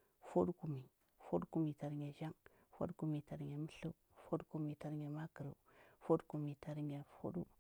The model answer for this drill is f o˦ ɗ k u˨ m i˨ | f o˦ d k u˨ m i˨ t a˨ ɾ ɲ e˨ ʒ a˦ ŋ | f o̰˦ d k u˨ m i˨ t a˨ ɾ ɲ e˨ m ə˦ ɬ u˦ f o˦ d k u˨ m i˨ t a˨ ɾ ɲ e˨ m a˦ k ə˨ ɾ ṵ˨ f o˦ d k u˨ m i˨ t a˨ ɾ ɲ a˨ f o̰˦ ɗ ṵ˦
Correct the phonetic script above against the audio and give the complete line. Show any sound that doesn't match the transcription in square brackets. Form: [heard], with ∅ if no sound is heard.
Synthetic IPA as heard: f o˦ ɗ k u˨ m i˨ | f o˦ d k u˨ m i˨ t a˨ ɾ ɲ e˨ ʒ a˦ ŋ | f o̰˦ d k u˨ m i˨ t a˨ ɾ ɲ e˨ m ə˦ ɬ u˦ f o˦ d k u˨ m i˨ t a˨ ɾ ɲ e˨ m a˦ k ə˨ ɾ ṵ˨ f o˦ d k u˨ m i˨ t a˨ ɾ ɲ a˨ f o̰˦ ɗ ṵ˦